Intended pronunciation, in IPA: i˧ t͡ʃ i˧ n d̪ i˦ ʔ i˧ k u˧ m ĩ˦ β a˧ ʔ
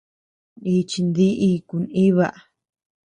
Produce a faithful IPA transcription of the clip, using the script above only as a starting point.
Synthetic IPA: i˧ t͡ʃ i˧ n d̪ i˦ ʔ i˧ k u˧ n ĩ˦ β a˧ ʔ